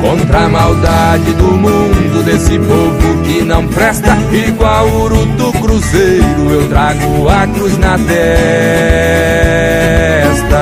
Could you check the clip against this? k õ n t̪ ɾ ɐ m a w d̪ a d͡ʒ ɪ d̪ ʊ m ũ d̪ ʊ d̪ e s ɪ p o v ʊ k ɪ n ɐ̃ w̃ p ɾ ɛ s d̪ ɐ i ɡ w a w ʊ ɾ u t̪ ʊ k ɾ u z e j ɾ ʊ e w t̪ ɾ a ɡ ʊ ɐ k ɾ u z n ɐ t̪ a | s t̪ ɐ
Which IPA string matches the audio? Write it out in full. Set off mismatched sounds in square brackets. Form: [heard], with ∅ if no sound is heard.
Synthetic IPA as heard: k õ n t̪ ɾ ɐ m a w d̪ a d͡ʒ ɪ d̪ ʊ m ũ d̪ ʊ d̪ e s ɪ p o v ʊ k ɪ n ɐ̃ w̃ p ɾ ɛ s [t̪] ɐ i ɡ w a w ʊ ɾ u t̪ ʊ k ɾ u z e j ɾ ʊ e w t̪ ɾ a ɡ ʊ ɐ k ɾ u z n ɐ t̪ [ɛ] | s t̪ ɐ